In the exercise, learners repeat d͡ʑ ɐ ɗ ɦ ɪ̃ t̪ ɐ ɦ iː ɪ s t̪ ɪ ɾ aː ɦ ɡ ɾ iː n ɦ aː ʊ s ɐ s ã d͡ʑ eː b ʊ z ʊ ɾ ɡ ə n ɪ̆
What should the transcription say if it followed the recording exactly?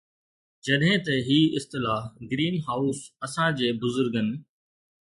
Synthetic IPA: d͡ʑ ɐ ɗ ɦ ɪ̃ t̪ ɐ ɦ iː ɪ s t̪ ɪ l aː ɦ ɡ ɾ iː n ɦ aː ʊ s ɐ s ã d͡ʑ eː b ʊ z ʊ ɾ ɡ ə n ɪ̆